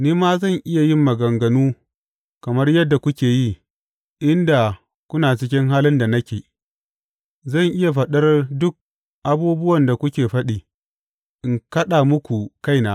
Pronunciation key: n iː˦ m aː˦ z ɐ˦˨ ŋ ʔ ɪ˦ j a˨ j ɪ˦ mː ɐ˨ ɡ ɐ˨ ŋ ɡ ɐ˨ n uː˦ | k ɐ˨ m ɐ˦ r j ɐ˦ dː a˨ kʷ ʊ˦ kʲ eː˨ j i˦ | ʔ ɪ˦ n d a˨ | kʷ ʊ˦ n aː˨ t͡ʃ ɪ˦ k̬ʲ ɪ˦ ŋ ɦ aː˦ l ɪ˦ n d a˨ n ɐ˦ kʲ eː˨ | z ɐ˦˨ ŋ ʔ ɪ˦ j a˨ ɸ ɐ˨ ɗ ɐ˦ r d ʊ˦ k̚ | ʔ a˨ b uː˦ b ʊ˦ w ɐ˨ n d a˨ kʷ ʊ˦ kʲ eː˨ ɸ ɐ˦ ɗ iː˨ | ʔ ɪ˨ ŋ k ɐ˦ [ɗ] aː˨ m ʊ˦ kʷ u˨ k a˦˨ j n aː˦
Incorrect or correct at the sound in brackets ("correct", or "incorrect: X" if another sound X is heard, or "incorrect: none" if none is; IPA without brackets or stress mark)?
correct